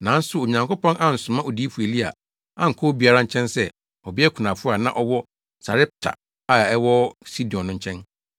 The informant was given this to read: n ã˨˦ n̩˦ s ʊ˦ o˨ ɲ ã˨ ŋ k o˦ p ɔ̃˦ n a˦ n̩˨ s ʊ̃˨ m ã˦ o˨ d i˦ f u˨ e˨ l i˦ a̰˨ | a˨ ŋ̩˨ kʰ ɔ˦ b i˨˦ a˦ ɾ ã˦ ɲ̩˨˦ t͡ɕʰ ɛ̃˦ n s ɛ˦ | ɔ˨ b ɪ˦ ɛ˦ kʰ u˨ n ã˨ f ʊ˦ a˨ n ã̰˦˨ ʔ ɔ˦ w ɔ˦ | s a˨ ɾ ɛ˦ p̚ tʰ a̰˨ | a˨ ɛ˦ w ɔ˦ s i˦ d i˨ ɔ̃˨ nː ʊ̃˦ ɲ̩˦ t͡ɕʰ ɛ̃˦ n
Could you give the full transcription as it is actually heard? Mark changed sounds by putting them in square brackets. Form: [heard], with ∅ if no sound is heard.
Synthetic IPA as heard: n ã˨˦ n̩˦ s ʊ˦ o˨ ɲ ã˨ ŋ k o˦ p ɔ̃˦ n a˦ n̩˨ s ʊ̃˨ m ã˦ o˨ d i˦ f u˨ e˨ l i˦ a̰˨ | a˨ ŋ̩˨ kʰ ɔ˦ b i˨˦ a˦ ɾ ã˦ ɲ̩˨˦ t͡ɕʰ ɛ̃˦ n s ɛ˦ | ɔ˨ b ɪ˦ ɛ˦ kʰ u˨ n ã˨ f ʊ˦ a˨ n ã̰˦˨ ʔ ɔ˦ w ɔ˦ | s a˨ ɾ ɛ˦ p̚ tʰ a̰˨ | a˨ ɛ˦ w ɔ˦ s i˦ d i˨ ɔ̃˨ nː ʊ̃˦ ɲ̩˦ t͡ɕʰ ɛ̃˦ n